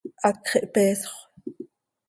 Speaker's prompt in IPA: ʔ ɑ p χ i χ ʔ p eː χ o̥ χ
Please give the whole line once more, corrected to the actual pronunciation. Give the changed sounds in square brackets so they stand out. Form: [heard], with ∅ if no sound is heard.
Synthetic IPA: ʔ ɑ [k] χ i [∅] ʔ p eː [s] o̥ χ